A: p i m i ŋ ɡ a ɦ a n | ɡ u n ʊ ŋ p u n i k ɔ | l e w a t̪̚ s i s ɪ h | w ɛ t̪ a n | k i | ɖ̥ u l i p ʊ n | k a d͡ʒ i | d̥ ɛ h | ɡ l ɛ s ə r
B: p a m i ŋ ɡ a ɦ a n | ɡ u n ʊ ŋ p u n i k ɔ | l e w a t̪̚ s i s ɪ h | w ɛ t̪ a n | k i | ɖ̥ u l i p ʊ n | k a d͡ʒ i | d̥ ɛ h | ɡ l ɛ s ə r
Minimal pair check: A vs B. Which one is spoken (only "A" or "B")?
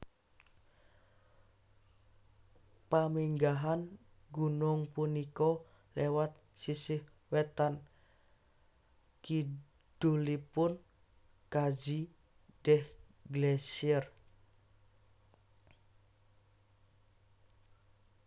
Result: B